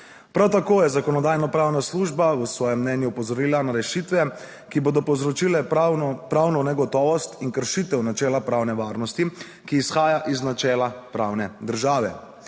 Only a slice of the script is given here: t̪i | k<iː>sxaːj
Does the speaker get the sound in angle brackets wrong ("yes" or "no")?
no